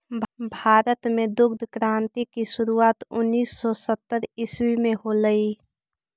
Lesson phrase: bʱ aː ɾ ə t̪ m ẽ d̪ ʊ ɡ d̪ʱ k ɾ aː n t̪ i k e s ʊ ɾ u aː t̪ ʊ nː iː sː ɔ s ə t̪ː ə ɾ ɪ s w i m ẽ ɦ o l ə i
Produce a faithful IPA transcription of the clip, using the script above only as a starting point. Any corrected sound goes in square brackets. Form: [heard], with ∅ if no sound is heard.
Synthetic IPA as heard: bʱ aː ɾ ə t̪ m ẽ d̪ ʊ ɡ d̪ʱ k ɾ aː n t̪ i k [i] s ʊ ɾ u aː t̪ ʊ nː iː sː ɔ s ə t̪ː ə ɾ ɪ s w i m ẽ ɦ o l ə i